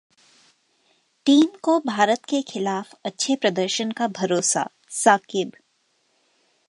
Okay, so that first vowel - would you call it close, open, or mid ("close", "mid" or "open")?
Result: close